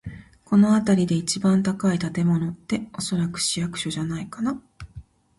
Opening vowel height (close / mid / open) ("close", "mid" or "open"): mid